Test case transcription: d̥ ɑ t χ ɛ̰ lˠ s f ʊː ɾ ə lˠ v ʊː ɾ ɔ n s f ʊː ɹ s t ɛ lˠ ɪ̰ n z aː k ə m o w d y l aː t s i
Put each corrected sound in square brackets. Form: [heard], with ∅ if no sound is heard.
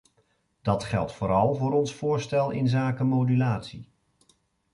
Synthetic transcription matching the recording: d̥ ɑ t χ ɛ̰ lˠ [t] f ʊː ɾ [ɑ] lˠ v ʊː ɾ ɔ n s f ʊː ɹ s t ɛ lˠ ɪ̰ n z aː k ə m o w d y l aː t s i